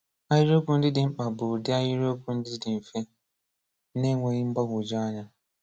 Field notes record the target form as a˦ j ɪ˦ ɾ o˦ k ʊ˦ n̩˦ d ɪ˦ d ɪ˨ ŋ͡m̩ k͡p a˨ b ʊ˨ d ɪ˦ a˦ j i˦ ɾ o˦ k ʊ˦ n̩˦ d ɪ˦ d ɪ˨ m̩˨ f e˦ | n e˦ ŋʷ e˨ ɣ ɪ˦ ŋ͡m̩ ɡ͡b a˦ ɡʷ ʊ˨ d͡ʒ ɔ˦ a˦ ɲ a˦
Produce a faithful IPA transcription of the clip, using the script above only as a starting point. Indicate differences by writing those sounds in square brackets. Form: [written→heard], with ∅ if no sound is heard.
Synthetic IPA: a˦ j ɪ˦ ɾ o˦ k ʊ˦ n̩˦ d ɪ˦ d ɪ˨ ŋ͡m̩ k͡p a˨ b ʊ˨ d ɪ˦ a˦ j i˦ ɾ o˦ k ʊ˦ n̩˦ d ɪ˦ d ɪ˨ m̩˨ f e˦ | n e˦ ŋʷ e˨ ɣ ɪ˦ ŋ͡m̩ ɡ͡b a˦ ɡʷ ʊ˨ d͡ʒ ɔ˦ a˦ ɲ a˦